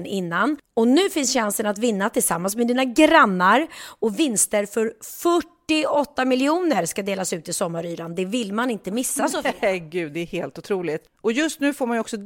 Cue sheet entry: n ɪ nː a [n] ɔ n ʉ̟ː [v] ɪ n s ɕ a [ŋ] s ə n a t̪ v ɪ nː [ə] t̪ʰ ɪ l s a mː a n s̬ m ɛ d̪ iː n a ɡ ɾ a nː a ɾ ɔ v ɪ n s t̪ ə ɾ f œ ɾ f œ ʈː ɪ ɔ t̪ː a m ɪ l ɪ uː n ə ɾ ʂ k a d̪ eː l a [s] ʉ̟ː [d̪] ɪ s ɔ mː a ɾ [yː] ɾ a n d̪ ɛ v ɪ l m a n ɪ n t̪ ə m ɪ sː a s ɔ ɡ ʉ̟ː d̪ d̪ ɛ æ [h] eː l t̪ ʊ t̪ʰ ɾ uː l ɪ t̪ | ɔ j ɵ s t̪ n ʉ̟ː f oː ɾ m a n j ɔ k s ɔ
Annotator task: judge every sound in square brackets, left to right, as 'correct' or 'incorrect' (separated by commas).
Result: correct, incorrect, incorrect, incorrect, correct, incorrect, correct, correct